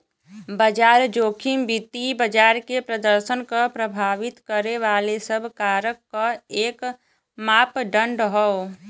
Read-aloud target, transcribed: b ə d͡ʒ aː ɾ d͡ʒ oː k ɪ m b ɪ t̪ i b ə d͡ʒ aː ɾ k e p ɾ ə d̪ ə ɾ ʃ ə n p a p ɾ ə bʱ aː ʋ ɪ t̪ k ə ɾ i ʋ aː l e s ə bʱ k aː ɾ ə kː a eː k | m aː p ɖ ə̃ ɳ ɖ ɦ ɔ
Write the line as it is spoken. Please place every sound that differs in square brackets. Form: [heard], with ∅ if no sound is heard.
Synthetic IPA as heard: b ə d͡ʒ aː ɾ d͡ʒ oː [kʰ] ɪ m b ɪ t̪ i b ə d͡ʒ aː ɾ k e p ɾ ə d̪ ə ɾ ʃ ə n [k] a p ɾ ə bʱ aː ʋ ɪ t̪ k ə ɾ [e] ʋ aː l e s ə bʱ k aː ɾ ə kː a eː k | m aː p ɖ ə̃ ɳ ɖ ɦ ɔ